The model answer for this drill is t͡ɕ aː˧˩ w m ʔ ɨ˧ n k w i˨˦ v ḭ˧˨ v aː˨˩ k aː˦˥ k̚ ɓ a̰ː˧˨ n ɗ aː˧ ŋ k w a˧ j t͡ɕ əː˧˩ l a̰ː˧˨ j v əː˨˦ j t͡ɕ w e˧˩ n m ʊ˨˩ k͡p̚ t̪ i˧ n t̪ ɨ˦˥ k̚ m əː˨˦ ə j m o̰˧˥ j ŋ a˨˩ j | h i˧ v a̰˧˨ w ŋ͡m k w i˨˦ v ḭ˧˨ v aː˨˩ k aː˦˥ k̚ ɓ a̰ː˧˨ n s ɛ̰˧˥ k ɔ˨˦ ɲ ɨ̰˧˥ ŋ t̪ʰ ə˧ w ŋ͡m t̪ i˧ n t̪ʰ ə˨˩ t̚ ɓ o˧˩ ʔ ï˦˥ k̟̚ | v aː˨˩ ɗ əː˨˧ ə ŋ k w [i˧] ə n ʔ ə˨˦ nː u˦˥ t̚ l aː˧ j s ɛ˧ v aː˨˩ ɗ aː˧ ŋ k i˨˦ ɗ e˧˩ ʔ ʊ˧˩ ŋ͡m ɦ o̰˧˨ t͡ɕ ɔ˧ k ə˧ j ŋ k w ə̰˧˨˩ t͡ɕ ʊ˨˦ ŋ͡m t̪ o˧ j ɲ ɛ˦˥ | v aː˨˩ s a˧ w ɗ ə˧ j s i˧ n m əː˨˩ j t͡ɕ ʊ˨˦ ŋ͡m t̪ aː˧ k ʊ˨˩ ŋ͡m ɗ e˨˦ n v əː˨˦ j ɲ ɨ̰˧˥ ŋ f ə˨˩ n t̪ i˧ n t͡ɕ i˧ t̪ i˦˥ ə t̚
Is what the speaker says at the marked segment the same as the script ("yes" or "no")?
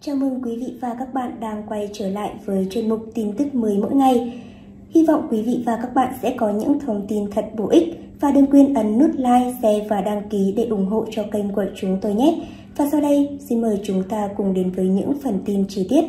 yes